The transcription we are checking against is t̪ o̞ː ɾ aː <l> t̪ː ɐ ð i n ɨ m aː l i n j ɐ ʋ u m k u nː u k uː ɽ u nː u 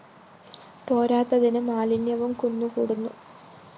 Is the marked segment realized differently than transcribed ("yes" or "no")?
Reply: yes